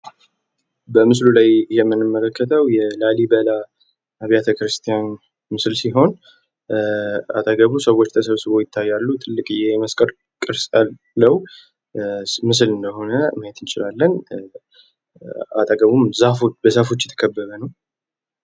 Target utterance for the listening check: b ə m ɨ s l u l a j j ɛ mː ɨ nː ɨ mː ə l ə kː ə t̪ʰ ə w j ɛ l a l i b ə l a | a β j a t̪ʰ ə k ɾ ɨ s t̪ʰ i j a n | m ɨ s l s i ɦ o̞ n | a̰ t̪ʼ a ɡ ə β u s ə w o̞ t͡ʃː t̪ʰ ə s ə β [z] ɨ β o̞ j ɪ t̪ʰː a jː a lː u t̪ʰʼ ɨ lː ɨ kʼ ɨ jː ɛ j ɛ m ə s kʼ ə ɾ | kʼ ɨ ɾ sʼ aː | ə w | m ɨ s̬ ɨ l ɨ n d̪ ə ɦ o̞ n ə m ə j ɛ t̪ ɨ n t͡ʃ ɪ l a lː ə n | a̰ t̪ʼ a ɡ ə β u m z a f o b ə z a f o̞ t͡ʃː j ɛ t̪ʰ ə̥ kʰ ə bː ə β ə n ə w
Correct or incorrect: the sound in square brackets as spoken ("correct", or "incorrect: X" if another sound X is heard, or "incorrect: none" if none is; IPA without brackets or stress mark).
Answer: incorrect: s